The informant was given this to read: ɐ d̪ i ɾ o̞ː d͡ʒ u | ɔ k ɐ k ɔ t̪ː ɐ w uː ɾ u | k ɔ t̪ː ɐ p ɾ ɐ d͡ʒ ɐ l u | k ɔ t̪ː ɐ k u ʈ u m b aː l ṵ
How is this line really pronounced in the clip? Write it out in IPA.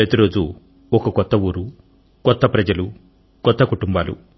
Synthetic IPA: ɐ t̪ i ɾ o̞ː d͡ʒ u | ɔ k ɐ k ɔ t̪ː ɐ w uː ɾ u | k ɔ t̪ː ɐ p ɾ ɐ d͡ʒ ɐ l u | k ɔ t̪ː ɐ k u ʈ u m b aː l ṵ